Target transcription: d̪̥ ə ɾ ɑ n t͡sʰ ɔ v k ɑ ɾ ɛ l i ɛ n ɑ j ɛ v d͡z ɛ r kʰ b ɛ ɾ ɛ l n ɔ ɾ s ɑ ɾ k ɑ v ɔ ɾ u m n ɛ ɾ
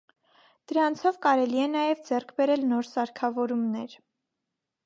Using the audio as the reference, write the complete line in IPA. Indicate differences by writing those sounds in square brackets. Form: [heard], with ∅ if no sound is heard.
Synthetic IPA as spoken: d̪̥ ə ɾ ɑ n t͡sʰ ɔ v k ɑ ɾ ɛ l i ɛ n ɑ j ɛ v d͡z ɛ r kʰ b ɛ ɾ ɛ l n ɔ ɾ s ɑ ɾ [kʰ] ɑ v ɔ ɾ u m n ɛ ɾ